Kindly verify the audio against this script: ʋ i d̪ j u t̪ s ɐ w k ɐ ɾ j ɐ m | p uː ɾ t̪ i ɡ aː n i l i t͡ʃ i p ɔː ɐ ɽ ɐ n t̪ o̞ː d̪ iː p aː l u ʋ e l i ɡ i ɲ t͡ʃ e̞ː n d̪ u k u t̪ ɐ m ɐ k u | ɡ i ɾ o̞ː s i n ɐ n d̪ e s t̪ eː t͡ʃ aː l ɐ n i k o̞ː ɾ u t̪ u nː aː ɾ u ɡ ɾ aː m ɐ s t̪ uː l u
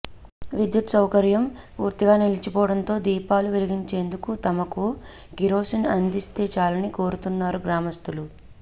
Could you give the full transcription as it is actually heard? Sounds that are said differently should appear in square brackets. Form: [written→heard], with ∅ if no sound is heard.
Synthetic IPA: ʋ i d̪ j u t̪ s ɐ w k ɐ ɾ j ɐ m | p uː ɾ t̪ i ɡ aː n i l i t͡ʃ i p ɔː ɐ ɽ ɐ n t̪ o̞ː d̪ iː p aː l u ʋ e l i ɡ i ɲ t͡ʃ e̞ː n d̪ u k u t̪ ɐ m ɐ k u | ɡ i ɾ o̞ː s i n ɐ n d̪ [e→i] s t̪ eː t͡ʃ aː l ɐ n i k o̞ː ɾ u t̪ u nː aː ɾ u ɡ ɾ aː m ɐ s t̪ [uː→u] l u

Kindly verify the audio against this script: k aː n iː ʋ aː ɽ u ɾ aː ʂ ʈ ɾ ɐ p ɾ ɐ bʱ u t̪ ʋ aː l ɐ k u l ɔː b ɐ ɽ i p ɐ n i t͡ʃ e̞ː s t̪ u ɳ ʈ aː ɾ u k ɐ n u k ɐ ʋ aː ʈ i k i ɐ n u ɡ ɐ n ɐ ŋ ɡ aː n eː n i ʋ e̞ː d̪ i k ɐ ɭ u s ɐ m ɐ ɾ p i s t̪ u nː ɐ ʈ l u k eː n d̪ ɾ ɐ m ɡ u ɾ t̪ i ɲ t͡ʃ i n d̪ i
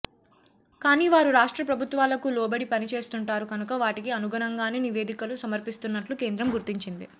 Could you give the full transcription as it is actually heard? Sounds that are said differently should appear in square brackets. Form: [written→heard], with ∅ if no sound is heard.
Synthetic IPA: k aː n iː ʋ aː [ɽ→ɾ] u ɾ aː ʂ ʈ ɾ ɐ p ɾ ɐ bʱ u t̪ ʋ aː l ɐ k u l ɔː b ɐ ɽ i p ɐ n i t͡ʃ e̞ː s t̪ u ɳ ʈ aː ɾ u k ɐ n u k ɐ ʋ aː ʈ i k i ɐ n u ɡ ɐ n ɐ ŋ ɡ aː n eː n i ʋ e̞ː d̪ i k ɐ [ɭ→l] u s ɐ m ɐ ɾ p i s t̪ u nː ɐ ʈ l u k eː n d̪ ɾ ɐ m ɡ u ɾ t̪ i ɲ t͡ʃ i n d̪ i

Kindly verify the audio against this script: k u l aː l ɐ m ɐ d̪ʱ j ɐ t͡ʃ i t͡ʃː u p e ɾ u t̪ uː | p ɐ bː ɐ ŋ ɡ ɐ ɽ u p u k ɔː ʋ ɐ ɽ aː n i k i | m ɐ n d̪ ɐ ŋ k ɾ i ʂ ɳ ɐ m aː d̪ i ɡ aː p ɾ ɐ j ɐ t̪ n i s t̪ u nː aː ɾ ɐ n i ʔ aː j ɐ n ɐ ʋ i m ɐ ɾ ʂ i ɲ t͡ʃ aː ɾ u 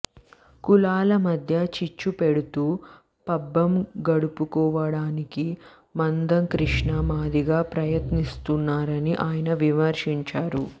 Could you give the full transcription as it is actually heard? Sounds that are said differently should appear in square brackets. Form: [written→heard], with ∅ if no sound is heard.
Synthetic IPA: k u l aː l ɐ m ɐ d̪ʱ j ɐ t͡ʃ i t͡ʃː u p e [ɾ→ɽ] u t̪ uː | p ɐ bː ɐ [ŋ→m] ɡ ɐ ɽ u p u k ɔː ʋ ɐ ɽ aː n i k i | m ɐ n d̪ ɐ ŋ k ɾ i ʂ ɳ ɐ m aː d̪ i ɡ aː p ɾ ɐ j ɐ t̪ n i s t̪ u nː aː ɾ ɐ n i ʔ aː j ɐ n ɐ ʋ i m ɐ ɾ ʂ i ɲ t͡ʃ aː ɾ u

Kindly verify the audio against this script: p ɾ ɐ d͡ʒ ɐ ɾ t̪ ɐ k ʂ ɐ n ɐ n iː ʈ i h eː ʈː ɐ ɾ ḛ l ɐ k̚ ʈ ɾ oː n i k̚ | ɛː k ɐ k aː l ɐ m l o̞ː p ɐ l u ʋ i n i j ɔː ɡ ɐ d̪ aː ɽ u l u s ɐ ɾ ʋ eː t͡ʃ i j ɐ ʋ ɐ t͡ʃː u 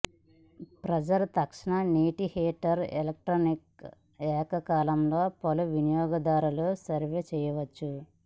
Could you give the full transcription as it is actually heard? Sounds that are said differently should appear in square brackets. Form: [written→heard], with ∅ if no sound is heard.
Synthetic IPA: p ɾ ɐ d͡ʒ ɐ ɾ t̪ ɐ k ʂ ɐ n ɐ n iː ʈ i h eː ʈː ɐ ɾ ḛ l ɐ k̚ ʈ ɾ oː n i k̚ | ɛː k ɐ k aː l ɐ m l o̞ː p ɐ l u ʋ i n i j ɔː ɡ ɐ d̪ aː [ɽ→ɾ] u l u s ɐ ɾ ʋ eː t͡ʃ [i→ɛ] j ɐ ʋ ɐ t͡ʃː u

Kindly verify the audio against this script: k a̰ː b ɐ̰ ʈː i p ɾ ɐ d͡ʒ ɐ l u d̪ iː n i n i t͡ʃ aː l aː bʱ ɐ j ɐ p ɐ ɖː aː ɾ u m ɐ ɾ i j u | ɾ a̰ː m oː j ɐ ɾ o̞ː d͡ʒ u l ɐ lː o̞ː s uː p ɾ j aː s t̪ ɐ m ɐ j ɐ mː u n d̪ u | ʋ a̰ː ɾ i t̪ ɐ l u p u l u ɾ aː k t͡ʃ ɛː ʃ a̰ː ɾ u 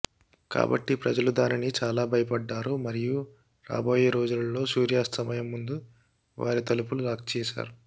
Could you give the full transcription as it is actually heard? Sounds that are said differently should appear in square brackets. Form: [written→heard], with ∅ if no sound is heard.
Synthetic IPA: k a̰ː b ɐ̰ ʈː i p ɾ ɐ d͡ʒ ɐ l u d̪ [iː→aː] n i n i t͡ʃ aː l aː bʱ ɐ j ɐ p ɐ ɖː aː ɾ u m ɐ ɾ i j u | ɾ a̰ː [m→b] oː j ɐ ɾ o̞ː d͡ʒ u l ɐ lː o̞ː s uː [p→∅] ɾ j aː s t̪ ɐ m ɐ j ɐ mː u n d̪ u | ʋ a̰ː ɾ i t̪ ɐ l u p u l u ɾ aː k t͡ʃ ɛː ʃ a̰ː ɾ u

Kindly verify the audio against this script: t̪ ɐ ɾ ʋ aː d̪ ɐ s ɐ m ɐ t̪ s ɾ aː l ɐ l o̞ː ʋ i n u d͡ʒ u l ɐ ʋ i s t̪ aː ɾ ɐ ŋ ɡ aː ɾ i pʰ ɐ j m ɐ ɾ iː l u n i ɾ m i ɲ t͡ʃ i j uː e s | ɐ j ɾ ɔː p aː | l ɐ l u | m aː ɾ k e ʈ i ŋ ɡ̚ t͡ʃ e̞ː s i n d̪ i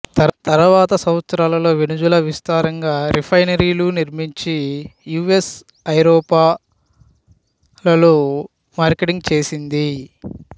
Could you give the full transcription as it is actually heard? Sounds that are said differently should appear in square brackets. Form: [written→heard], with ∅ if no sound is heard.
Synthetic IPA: t̪ ɐ ɾ ʋ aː [d̪→t̪] ɐ s ɐ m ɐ t̪ s ɾ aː l ɐ l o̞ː ʋ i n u d͡ʒ u l ɐ ʋ i s t̪ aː ɾ ɐ ŋ ɡ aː ɾ i pʰ ɐ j [m→n] ɐ ɾ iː l u n i ɾ m i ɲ t͡ʃ i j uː e s | ɐ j ɾ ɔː p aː | l ɐ l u | m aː ɾ k e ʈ i ŋ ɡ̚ t͡ʃ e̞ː s i n d̪ i

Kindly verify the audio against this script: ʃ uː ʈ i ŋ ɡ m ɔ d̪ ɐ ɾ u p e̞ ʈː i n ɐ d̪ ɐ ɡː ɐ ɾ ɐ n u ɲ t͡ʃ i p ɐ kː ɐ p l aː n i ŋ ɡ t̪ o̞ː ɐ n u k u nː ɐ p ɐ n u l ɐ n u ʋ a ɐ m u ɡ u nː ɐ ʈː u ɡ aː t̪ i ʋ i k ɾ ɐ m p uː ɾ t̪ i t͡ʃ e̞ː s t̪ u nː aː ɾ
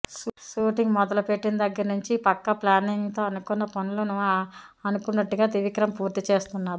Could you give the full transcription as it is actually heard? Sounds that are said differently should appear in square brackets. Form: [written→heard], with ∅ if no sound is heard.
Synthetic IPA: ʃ uː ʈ i ŋ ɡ m ɔ d̪ ɐ [ɾ→l] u p e̞ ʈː i n ɐ d̪ ɐ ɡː ɐ ɾ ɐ n u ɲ t͡ʃ i p ɐ kː ɐ p l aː n i ŋ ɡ t̪ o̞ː ɐ n u k u nː ɐ p ɐ n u l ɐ n u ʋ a ɐ [m→n] u [ɡ→k] u nː ɐ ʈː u ɡ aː t̪ i ʋ i k ɾ ɐ m p uː ɾ t̪ i t͡ʃ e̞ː s t̪ u nː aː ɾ

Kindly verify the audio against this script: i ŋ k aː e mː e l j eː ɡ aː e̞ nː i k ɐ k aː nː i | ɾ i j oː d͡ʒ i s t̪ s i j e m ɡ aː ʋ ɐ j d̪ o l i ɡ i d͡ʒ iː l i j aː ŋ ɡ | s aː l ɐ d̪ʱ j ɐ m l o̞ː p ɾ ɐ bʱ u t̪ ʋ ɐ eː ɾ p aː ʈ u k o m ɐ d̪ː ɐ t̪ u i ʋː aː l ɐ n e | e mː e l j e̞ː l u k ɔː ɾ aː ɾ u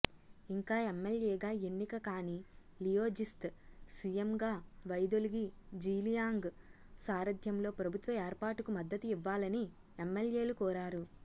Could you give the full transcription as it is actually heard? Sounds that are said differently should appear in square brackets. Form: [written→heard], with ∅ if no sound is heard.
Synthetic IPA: i ŋ k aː e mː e l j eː ɡ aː e̞ nː i k ɐ k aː [nː→n] i | [ɾ→l] i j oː d͡ʒ i s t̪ s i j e m ɡ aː ʋ ɐ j d̪ o l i ɡ i d͡ʒ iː l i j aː ŋ ɡ | s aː [l→ɾ] ɐ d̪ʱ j ɐ m l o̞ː p ɾ ɐ bʱ u t̪ ʋ ɐ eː ɾ p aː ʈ u k [o→u] m ɐ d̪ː ɐ t̪ u i ʋː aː l ɐ n [e→i] | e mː e l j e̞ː l u k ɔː ɾ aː ɾ u

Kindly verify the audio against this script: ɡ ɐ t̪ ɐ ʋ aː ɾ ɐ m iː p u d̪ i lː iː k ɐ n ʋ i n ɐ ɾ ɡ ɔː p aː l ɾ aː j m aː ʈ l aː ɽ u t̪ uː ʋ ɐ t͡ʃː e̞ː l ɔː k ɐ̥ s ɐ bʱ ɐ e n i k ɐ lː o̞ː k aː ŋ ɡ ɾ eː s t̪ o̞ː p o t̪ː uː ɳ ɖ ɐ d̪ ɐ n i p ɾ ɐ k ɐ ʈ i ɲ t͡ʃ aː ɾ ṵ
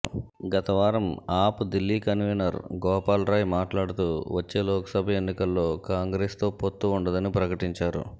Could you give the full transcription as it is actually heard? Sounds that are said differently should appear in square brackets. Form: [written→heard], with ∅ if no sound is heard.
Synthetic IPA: ɡ ɐ t̪ ɐ ʋ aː ɾ ɐ m [iː→aː] p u d̪ i lː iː k ɐ n ʋ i n ɐ ɾ ɡ ɔː p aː l ɾ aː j m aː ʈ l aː ɽ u t̪ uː ʋ ɐ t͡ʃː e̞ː l ɔː k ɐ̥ s ɐ bʱ ɐ e [n→nː] i k ɐ lː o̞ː k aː ŋ ɡ ɾ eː s t̪ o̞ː p o t̪ː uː ɳ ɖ ɐ d̪ ɐ n i p ɾ ɐ k ɐ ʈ i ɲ t͡ʃ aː ɾ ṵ

